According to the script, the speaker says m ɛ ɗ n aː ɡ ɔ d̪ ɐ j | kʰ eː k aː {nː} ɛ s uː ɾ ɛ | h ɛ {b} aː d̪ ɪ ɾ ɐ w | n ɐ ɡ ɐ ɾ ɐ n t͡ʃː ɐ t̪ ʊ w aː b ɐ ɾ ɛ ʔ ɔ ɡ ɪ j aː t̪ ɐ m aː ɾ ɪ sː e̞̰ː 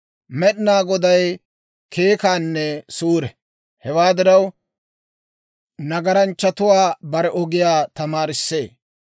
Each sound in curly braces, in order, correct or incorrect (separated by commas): correct, incorrect